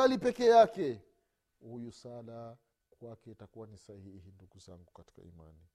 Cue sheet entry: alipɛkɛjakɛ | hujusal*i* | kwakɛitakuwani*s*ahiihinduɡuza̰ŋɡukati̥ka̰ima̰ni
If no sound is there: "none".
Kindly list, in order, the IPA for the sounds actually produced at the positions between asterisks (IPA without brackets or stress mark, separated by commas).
a, s